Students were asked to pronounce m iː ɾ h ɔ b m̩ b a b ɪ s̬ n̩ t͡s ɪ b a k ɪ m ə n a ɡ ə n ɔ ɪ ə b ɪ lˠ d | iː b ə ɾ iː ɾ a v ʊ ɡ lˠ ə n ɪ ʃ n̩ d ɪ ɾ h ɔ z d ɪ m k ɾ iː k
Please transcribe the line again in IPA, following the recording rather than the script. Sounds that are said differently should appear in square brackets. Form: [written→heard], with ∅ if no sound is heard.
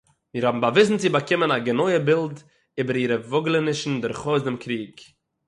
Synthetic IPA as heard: m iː ɾ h ɔ b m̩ b a [b→v] ɪ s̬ n̩ t͡s ɪ b a k ɪ m ə n a ɡ ə n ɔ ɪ ə b ɪ lˠ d | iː b ə ɾ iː ɾ [a→ə] v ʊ ɡ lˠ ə n ɪ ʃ n̩ d ɪ ɾ [h→χ] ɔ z d ɪ m k ɾ iː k